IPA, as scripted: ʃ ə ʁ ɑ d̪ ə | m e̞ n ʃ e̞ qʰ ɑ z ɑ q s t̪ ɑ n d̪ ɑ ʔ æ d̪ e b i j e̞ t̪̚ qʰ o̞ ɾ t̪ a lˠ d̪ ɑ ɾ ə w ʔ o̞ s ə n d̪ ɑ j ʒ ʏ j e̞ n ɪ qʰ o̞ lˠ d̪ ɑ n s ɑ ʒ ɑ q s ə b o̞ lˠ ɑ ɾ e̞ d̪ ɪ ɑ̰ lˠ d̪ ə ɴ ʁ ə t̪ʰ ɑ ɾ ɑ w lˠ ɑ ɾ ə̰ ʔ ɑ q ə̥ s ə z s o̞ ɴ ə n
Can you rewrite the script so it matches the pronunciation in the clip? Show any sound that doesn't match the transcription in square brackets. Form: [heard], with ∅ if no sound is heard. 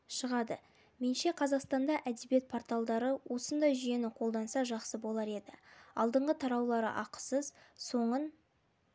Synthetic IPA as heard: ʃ ə ʁ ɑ d̪ ə | m e̞ n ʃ e̞ qʰ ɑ z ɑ q s t̪ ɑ n d̪ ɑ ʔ æ d̪ e b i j e̞ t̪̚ [pʰ] o̞ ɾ t̪ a lˠ d̪ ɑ ɾ ə w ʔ o̞ s ə n d̪ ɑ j ʒ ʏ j e̞ n ɪ qʰ o̞ lˠ d̪ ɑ n s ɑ ʒ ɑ q s ə b o̞ lˠ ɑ ɾ e̞ d̪ ɪ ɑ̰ lˠ d̪ ə ɴ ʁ ə t̪ʰ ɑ ɾ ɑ w lˠ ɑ ɾ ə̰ ʔ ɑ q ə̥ s ə z s o̞ ɴ ə n